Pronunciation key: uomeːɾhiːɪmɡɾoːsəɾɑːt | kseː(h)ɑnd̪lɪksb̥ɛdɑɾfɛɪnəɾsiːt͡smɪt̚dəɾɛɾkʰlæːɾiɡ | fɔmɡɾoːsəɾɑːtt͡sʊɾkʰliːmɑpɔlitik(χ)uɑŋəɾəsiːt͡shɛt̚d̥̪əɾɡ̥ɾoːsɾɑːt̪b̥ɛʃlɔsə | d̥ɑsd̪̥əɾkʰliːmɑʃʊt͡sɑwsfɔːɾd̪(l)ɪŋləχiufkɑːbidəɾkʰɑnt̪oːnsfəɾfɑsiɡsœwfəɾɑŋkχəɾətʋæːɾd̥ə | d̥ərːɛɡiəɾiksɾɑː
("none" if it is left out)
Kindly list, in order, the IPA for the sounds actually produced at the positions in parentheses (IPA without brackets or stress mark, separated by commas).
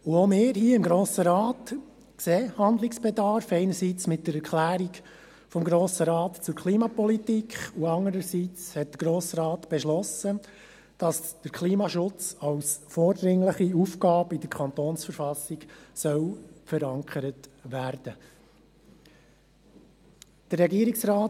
h, χ, ɾ